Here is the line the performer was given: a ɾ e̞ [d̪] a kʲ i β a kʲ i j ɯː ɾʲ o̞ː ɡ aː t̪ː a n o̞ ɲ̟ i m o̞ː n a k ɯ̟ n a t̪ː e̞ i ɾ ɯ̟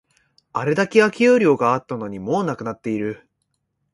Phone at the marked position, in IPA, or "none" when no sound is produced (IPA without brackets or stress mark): d̪